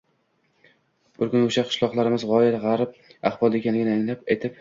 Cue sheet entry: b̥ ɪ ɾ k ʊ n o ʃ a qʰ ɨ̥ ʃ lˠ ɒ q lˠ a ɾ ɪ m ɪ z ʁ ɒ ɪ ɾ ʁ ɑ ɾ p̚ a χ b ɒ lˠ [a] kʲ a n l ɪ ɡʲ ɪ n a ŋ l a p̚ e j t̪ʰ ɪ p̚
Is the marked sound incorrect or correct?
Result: incorrect